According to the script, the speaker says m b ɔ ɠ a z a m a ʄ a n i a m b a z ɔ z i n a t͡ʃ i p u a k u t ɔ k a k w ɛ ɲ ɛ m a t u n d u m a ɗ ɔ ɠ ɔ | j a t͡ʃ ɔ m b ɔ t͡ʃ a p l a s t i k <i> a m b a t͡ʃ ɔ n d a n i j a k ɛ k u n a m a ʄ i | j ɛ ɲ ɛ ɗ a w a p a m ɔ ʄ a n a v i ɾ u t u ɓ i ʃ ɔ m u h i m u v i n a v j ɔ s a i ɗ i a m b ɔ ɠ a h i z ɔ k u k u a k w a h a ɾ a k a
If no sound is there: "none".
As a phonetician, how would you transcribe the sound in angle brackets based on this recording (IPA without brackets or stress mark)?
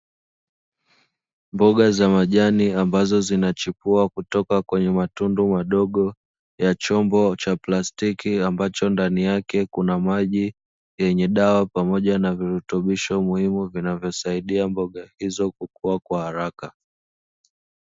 i